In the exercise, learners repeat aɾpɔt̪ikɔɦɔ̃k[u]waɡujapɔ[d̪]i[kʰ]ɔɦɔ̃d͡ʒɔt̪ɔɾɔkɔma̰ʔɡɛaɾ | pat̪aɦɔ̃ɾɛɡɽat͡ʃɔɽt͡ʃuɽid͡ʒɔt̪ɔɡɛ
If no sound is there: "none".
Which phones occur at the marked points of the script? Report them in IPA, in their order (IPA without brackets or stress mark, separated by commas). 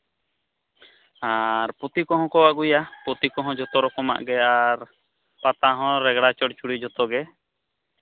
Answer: ɔ, t̪, k